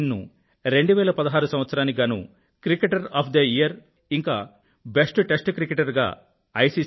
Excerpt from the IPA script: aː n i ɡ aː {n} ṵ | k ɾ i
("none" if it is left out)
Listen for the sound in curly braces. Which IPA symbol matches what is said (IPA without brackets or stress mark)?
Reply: n